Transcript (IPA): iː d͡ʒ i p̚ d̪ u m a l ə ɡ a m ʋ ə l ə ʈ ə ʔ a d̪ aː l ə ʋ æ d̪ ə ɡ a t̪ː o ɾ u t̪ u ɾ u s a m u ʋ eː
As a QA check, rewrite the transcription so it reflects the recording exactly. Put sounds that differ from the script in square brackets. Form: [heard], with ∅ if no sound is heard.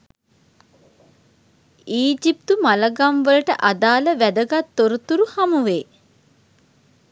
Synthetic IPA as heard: iː d͡ʒ i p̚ [t̪] u m a l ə ɡ a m ʋ ə l ə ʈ ə ʔ a d̪ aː l ə ʋ æ d̪ ə ɡ a t̪ː o ɾ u t̪ u ɾ u [h] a m u ʋ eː